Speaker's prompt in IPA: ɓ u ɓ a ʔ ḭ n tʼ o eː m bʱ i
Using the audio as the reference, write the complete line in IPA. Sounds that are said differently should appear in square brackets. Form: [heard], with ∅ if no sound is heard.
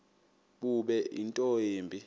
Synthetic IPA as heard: ɓ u ɓ [ɛ] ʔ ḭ n tʼ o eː m bʱ i